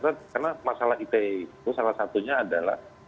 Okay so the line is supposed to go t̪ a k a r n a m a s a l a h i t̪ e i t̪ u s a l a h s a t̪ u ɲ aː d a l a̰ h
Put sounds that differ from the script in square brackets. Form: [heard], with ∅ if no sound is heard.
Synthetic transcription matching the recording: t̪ a k a r n a m a s a l a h i t̪ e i t̪ u s a l a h s a t̪ u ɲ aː d a l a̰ h